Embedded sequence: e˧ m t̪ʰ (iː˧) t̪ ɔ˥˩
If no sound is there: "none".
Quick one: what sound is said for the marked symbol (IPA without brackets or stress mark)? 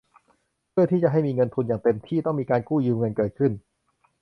iː˥˩